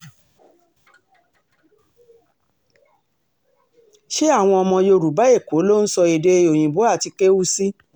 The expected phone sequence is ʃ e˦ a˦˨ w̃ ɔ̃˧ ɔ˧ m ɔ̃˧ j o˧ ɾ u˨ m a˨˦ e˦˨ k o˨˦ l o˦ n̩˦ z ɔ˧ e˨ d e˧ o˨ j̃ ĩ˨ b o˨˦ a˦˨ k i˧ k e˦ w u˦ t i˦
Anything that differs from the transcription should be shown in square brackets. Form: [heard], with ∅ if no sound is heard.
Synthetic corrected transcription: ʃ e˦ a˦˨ w̃ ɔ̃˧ ɔ˧ m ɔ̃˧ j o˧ ɾ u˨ [b] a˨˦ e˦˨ k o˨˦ l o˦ n̩˦ [s] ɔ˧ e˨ d e˧ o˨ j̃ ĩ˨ b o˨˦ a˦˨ [t] i˧ k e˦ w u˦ [s] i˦